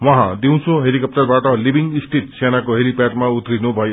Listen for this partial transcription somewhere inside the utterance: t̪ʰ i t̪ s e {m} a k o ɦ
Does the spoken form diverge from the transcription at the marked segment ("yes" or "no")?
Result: yes